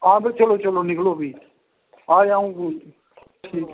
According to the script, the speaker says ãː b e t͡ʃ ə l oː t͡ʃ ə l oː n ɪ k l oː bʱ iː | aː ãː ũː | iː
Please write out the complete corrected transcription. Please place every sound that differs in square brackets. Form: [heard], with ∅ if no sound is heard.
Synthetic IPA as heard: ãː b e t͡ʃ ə l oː t͡ʃ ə l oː n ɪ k l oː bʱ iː | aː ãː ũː | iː